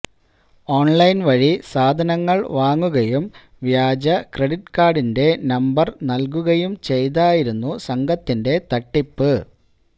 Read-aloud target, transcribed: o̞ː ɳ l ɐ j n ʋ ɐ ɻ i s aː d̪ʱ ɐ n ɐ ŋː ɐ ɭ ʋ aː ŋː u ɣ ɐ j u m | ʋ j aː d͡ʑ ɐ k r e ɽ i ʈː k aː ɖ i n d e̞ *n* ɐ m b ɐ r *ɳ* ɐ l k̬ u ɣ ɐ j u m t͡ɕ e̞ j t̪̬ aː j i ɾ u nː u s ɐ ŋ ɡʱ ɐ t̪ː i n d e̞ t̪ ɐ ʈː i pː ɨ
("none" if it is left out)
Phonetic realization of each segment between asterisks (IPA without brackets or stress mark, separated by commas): n, n